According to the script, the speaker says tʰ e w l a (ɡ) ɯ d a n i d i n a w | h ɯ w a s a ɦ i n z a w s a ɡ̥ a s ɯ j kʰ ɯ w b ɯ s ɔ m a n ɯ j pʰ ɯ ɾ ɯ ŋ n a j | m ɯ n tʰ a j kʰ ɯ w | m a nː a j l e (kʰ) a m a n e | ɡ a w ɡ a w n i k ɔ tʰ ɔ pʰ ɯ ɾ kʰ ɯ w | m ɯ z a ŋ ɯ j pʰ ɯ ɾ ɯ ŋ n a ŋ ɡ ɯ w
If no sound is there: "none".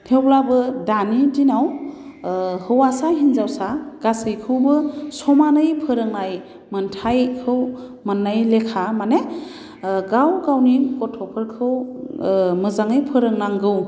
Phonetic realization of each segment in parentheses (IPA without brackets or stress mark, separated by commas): b, kʰ